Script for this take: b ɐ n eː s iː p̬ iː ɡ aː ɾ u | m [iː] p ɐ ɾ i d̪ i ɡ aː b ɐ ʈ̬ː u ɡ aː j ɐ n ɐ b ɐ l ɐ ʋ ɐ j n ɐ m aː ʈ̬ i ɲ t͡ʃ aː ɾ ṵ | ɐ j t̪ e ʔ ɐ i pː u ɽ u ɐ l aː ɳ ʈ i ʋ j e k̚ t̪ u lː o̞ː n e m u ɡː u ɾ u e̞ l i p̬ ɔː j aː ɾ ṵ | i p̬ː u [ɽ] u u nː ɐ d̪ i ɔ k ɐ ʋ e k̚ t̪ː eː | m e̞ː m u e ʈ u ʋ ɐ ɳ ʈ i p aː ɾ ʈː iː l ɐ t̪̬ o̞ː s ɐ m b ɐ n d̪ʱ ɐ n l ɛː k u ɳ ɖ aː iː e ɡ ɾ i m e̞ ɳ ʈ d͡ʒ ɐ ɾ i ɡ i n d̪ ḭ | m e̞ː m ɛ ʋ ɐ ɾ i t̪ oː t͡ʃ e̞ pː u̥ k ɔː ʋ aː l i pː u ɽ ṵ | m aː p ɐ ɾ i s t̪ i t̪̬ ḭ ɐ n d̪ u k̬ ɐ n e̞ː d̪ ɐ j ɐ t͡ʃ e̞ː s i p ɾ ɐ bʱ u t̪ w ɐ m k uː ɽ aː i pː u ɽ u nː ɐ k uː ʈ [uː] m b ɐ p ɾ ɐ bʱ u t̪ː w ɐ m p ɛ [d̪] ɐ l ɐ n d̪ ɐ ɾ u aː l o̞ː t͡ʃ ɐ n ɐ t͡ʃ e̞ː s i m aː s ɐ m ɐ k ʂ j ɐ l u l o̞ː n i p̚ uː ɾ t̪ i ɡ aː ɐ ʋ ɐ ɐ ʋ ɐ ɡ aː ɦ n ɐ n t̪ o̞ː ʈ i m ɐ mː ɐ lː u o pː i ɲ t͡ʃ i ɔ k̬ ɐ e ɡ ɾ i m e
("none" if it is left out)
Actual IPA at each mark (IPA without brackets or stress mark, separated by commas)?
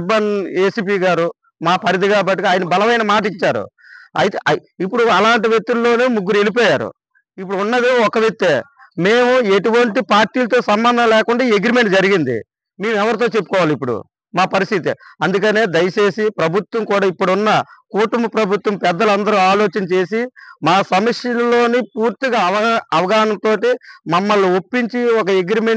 aː, ɽ, u, d̪ː